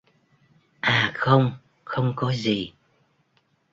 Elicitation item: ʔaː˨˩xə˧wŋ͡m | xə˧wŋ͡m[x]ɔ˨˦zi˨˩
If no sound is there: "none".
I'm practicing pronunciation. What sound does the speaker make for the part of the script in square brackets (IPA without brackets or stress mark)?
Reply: k